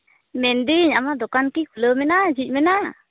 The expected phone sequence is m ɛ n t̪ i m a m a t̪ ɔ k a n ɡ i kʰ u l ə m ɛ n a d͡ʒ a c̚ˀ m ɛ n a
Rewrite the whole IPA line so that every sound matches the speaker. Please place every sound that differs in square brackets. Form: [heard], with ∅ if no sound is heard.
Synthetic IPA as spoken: m ɛ n [d̪] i [ɲ] a m a [d̪] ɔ k a n [k] i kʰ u l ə m ɛ n a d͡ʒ [i] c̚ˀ m ɛ n a